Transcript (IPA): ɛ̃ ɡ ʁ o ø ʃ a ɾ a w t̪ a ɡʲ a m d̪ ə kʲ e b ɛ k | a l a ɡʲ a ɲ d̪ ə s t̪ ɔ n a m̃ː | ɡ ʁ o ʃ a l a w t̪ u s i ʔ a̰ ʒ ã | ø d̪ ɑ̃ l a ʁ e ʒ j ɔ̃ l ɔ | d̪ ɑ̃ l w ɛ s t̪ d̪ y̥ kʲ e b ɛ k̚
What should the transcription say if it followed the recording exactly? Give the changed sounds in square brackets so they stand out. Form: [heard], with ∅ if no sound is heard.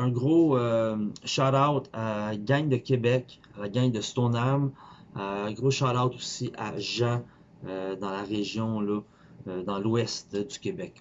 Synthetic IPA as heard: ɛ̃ ɡ ʁ o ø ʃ a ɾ a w t̪ a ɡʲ a [ɲ] d̪ ə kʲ e b ɛ k | a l a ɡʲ a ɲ d̪ ə s t̪ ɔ n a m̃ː | ɡ ʁ o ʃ a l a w t̪ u s i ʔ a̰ ʒ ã | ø d̪ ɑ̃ l a ʁ e ʒ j ɔ̃ l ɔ | d̪ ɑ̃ l w ɛ s t̪ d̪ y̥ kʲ e b ɛ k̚